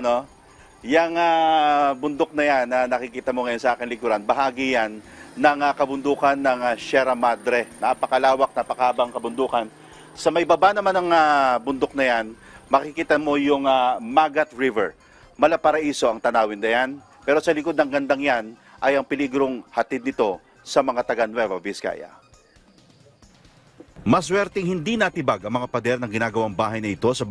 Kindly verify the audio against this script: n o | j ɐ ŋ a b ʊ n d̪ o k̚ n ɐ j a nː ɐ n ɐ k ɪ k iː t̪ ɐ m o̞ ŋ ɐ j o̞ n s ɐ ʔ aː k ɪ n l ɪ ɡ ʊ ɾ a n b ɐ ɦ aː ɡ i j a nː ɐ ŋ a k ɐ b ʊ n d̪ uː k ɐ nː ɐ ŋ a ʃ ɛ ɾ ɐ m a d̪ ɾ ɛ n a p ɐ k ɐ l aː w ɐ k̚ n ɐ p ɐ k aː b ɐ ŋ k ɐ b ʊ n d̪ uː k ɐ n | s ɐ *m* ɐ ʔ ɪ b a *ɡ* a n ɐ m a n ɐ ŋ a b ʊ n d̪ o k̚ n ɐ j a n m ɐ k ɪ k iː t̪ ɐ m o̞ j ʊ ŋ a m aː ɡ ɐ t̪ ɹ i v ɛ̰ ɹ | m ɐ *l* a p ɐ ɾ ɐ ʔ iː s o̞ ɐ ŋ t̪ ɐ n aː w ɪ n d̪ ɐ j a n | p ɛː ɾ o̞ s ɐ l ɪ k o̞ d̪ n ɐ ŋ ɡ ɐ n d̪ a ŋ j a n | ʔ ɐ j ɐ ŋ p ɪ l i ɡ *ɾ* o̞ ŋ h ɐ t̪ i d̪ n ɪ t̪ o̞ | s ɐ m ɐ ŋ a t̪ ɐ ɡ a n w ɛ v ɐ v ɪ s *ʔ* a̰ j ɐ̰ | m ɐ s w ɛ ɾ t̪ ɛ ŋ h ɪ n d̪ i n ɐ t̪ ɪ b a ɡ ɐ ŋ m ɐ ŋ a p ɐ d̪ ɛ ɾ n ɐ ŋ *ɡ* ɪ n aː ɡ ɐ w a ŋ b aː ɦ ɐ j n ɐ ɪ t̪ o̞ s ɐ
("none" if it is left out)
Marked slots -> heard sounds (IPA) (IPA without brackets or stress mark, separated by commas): m, b, l, ɾ, k, ɡ